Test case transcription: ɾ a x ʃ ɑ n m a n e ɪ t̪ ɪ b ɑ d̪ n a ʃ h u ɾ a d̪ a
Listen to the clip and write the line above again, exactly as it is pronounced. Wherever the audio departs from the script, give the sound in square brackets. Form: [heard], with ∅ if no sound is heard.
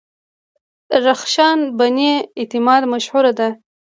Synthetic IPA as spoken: ɾ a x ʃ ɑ n [b] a n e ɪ t̪ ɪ [m] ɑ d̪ [m] a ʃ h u ɾ a d̪ a